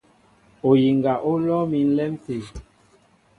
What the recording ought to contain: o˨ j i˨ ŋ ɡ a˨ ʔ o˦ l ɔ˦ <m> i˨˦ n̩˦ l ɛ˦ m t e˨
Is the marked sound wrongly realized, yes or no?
no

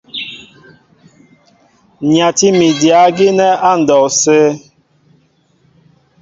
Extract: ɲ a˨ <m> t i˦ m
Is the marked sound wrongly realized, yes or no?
yes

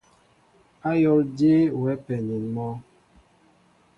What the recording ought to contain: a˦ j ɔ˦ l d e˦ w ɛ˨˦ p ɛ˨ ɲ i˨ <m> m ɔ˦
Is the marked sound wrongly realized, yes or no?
yes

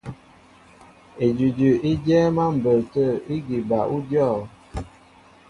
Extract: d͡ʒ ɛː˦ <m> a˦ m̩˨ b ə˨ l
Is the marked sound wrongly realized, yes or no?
no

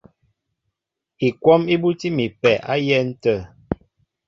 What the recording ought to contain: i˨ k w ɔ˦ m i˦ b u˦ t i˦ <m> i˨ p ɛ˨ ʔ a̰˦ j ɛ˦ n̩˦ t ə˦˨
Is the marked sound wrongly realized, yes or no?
no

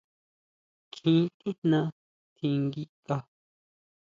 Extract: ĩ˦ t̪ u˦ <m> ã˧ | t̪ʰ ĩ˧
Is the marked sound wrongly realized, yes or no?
yes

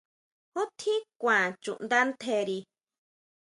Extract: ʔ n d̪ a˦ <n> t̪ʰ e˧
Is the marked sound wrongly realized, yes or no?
no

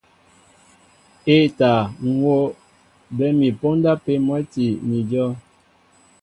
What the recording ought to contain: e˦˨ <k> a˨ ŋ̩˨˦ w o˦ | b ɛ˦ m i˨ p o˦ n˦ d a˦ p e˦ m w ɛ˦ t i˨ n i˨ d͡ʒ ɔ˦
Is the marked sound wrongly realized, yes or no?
yes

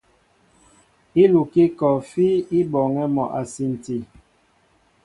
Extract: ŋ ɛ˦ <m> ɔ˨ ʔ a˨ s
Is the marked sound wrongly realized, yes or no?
no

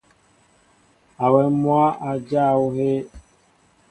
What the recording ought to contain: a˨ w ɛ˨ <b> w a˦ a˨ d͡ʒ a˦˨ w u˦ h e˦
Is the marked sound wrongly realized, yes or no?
yes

